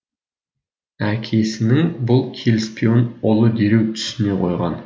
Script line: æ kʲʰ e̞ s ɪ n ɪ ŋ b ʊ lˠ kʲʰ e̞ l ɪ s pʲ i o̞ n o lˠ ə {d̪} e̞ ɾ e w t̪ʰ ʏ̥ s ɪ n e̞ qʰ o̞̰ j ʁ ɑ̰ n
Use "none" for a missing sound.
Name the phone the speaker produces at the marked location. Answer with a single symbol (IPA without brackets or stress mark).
d̪